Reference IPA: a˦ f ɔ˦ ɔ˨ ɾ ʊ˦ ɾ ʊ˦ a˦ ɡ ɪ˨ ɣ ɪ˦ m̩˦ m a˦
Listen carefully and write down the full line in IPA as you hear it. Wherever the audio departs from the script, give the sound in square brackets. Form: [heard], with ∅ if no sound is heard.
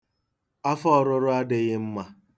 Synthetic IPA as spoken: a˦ f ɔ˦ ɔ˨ ɾ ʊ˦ ɾ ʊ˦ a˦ [d] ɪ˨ ɣ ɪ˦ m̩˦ m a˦